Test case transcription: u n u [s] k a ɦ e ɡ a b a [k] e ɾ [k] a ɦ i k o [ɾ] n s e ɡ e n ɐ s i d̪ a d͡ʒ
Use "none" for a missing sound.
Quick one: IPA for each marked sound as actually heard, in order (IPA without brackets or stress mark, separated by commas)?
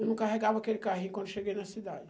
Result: none, k, k, none